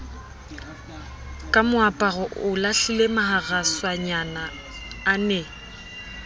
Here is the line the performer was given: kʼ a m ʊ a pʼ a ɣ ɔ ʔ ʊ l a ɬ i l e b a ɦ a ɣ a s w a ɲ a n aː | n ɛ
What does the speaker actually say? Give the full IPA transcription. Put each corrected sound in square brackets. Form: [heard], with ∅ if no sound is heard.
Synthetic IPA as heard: kʼ a m ʊ a pʼ a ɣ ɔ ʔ ʊ l a ɬ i l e [m] a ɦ a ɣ a s w a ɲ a n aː | n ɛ